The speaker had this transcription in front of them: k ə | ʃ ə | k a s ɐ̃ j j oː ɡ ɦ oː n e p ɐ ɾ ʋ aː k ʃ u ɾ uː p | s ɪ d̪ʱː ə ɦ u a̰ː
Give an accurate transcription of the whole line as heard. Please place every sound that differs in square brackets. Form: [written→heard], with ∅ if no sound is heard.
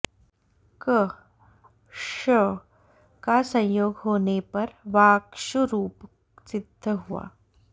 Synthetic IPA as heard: k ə | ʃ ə | k a s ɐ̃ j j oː ɡ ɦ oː n e p ɐ ɾ ʋ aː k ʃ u ɾ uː p | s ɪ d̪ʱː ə ɦ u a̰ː